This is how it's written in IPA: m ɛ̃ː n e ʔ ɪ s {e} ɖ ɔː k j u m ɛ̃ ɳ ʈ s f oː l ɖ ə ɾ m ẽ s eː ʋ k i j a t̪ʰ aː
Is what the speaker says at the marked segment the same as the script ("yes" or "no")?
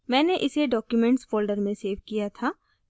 yes